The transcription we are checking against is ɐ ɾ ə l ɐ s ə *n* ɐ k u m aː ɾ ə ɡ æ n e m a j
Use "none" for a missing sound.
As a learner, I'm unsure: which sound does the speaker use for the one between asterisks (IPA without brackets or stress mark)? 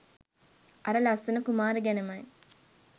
n